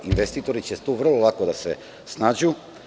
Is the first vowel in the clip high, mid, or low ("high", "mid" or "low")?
high